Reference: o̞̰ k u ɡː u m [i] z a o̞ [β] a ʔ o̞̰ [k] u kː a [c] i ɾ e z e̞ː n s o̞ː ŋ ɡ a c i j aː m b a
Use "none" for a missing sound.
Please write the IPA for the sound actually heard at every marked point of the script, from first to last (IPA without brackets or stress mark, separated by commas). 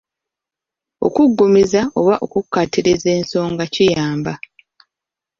i, β, k, t